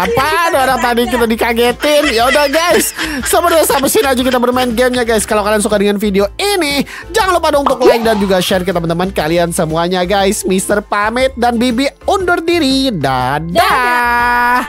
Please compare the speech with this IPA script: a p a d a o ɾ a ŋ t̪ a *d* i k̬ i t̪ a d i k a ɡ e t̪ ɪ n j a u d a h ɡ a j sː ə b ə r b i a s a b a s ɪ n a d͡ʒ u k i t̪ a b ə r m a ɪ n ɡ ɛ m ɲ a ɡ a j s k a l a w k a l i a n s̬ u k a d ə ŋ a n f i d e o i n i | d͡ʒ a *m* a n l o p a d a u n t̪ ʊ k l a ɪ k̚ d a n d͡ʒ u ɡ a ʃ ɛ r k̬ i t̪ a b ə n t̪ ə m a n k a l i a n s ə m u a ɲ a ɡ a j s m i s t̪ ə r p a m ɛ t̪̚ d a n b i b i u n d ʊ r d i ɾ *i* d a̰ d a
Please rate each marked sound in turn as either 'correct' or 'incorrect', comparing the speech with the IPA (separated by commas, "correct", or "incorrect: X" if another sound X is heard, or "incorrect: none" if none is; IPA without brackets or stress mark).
correct, incorrect: ŋ, correct